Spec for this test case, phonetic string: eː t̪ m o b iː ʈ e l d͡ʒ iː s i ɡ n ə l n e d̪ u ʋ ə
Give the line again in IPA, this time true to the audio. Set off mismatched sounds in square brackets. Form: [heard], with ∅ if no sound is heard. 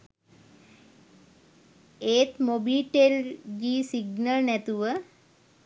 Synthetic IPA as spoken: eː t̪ m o b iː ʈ e l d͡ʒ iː s i ɡ n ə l n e [t̪] u ʋ ə